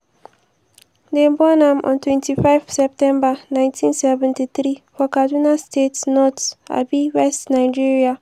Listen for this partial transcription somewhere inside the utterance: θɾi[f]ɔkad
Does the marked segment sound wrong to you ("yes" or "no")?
no